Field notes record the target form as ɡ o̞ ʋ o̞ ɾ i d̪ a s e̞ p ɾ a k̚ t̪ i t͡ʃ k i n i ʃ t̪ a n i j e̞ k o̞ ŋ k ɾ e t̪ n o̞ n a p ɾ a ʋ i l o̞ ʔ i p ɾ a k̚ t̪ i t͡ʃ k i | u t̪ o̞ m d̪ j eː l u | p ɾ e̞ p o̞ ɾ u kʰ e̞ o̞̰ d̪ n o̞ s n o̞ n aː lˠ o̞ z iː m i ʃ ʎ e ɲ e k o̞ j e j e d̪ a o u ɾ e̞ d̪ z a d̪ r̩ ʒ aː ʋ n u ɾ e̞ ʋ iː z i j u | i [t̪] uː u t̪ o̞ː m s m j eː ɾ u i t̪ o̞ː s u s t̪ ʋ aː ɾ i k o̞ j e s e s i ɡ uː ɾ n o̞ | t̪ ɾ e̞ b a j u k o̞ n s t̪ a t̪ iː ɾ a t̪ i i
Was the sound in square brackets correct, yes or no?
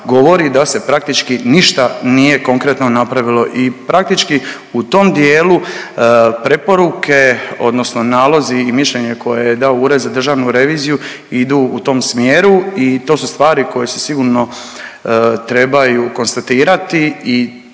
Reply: no